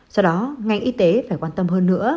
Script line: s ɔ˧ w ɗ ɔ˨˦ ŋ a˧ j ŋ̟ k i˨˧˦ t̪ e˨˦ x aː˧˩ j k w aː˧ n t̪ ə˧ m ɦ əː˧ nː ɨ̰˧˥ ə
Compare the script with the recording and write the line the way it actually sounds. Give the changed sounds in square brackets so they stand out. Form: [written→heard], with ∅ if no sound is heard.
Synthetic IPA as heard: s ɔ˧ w ɗ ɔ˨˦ ŋ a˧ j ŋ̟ [k→ʔ] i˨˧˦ t̪ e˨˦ [x→f] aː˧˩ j k w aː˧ n t̪ ə˧ m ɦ əː˧ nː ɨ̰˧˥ ə